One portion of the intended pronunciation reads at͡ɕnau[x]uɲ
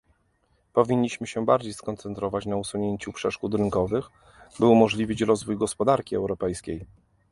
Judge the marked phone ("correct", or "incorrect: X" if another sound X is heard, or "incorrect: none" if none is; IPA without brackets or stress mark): incorrect: s